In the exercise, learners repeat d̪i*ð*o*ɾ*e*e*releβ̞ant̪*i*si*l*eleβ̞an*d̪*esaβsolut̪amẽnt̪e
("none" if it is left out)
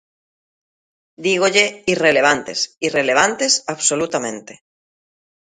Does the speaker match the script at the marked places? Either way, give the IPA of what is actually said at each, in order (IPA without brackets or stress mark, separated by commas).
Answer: ɣ, ʎ, i, e, r, t̪